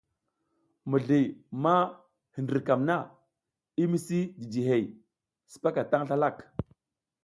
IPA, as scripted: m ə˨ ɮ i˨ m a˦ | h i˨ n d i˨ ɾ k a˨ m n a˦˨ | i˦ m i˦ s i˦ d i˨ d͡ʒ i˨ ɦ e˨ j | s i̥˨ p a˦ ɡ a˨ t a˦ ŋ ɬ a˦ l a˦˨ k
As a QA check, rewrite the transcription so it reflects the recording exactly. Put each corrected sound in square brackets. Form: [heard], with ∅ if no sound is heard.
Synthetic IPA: m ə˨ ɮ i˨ m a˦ | h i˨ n d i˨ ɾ k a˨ m n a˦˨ | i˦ m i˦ s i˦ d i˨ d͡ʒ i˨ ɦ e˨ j | s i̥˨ p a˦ [k] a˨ t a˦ ŋ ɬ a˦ l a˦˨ k